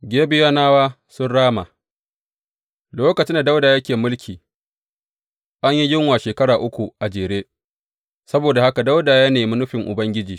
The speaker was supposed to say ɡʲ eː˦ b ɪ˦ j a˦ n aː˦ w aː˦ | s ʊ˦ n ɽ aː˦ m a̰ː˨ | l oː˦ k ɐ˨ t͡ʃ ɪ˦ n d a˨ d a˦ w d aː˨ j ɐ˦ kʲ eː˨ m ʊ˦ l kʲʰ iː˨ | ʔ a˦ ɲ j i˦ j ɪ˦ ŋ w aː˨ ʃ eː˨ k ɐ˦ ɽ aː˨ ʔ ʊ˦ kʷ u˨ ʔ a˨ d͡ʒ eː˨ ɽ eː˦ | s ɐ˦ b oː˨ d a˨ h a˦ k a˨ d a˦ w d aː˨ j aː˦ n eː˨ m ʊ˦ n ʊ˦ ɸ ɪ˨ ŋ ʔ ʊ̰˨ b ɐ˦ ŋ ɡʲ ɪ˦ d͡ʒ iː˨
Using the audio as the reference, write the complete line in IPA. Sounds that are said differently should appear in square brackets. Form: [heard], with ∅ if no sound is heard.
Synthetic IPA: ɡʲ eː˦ b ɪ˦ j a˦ n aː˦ w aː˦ | s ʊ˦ n ɽ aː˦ m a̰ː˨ | l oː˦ k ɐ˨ t͡ʃ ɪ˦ n d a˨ d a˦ w d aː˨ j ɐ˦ kʲ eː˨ m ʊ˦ l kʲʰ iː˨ | ʔ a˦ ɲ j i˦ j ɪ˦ ŋ w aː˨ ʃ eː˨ k ɐ˦ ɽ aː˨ ʔ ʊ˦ kʷ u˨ ʔ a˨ d͡ʒ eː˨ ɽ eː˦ | s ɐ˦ b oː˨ d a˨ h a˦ k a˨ d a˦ w d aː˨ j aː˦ n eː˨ m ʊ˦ n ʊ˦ ɸ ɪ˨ ŋ ʔ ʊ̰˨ b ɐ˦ ŋ ɡʲ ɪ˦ d͡ʒ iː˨